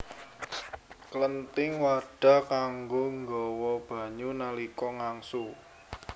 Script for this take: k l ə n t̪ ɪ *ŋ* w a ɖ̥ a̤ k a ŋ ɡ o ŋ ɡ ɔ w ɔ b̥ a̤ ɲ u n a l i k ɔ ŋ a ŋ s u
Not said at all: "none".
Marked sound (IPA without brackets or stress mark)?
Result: ŋ